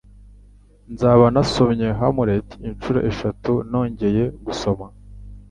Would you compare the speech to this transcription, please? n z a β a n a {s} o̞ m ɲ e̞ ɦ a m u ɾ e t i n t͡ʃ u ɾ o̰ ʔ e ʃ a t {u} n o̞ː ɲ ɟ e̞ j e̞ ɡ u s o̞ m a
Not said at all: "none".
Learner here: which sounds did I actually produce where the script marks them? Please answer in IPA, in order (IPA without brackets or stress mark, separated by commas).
s, u